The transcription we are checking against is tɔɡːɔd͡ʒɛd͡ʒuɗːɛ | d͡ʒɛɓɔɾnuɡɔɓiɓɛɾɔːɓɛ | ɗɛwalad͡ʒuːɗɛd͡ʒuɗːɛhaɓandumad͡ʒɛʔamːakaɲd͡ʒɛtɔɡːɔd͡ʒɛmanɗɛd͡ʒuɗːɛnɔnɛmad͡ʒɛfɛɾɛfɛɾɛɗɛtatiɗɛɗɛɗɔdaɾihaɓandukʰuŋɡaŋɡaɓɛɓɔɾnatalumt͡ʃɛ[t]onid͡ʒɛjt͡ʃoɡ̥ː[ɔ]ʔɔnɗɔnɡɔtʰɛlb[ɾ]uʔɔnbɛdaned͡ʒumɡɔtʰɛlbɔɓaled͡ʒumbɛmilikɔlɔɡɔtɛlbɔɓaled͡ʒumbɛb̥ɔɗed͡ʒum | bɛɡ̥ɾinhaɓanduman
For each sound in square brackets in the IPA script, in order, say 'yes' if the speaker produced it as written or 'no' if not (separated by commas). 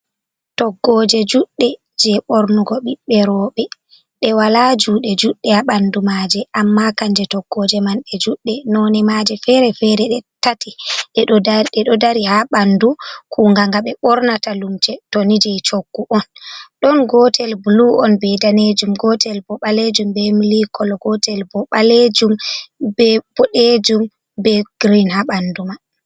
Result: yes, no, no